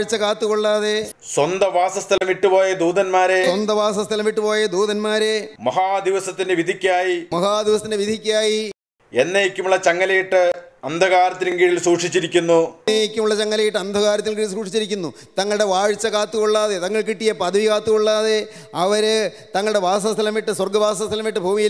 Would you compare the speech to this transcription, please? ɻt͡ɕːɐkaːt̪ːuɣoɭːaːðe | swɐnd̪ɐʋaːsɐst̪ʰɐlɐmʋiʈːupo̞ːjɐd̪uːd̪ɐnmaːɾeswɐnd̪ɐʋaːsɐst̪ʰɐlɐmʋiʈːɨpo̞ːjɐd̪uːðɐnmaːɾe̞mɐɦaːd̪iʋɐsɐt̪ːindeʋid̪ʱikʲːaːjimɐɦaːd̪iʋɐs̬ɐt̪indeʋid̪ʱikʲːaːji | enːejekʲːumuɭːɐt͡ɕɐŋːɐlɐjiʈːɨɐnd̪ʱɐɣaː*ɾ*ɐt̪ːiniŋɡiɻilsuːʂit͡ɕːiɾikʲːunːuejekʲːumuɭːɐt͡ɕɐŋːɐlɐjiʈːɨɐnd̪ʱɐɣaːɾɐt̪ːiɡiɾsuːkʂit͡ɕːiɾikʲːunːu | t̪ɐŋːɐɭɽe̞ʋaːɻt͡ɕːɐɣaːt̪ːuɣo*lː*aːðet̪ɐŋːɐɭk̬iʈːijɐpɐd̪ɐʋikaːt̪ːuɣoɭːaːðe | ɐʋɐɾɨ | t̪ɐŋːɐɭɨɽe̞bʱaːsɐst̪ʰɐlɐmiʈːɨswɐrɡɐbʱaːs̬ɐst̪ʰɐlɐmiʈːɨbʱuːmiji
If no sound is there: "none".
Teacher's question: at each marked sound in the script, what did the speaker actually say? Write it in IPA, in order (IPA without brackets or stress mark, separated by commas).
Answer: ɾ, ɭː